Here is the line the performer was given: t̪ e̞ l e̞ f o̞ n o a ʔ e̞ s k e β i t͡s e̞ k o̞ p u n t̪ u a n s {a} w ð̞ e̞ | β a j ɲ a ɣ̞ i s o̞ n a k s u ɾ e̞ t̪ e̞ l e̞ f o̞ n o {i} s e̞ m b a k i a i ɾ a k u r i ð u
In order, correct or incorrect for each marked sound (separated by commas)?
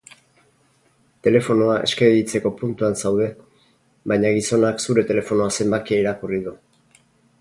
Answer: correct, incorrect